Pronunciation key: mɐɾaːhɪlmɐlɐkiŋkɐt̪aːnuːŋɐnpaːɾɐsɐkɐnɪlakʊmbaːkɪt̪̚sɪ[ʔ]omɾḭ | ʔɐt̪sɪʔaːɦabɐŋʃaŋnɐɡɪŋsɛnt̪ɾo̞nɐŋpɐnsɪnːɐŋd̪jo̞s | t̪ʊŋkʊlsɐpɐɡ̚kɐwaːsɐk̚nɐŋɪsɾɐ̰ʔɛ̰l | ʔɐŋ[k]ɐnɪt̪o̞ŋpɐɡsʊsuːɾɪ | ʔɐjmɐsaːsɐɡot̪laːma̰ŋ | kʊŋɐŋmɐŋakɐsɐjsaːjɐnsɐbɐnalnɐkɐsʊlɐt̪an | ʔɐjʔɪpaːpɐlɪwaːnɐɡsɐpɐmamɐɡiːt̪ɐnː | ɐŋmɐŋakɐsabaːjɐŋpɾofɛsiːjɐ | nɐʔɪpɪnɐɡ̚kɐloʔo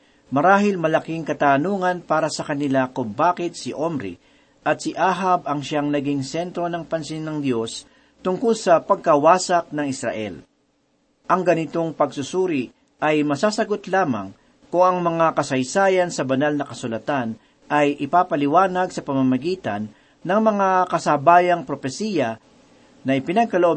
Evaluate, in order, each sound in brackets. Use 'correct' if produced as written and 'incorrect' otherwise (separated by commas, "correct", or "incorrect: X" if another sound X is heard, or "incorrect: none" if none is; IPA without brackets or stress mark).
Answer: correct, incorrect: ɡ